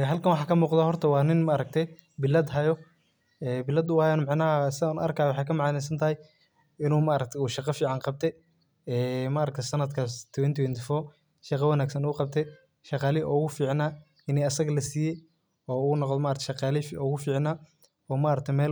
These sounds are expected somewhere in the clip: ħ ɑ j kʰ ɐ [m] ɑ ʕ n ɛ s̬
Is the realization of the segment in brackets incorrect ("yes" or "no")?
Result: no